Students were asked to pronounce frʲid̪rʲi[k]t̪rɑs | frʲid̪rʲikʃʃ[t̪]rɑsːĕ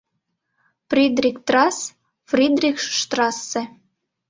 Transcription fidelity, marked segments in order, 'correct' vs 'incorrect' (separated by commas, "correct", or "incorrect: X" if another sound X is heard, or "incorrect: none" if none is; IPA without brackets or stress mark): correct, correct